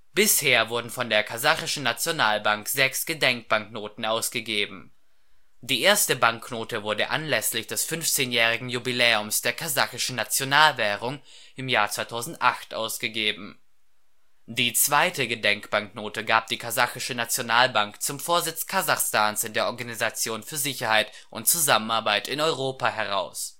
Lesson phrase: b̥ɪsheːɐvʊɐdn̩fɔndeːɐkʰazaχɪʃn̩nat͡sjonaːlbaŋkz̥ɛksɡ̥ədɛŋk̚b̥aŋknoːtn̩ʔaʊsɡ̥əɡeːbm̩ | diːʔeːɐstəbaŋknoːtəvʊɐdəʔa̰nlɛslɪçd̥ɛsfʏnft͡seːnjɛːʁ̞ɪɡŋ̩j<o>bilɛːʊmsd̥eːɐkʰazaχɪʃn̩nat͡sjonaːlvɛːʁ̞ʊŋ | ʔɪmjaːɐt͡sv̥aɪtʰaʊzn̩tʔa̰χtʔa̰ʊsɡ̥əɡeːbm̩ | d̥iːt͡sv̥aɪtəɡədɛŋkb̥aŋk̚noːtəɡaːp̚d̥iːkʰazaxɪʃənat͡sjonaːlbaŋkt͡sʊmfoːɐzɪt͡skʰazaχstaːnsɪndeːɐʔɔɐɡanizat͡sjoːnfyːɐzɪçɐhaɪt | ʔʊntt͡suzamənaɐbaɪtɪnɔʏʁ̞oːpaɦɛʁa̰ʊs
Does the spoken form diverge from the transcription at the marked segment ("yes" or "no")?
yes